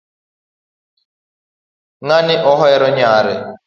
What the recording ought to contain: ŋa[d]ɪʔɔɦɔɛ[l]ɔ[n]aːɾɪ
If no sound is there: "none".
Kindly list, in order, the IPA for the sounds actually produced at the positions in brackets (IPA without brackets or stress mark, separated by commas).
n, ɾ, ɲ